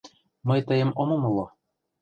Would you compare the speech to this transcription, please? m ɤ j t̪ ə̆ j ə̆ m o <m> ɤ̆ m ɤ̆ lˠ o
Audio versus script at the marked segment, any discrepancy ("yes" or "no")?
no